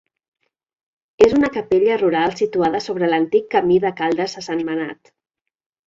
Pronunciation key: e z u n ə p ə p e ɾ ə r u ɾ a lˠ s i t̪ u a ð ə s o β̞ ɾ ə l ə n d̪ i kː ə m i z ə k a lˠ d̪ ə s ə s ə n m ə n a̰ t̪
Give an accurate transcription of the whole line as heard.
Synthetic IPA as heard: e z u n ə k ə p e ʎ ə r u ɾ a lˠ s i t̪ u a ð ə s o β̞ ɾ ə l ə n t̪ i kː ə m i ð ə k a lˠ d̪ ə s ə s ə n m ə n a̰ t̪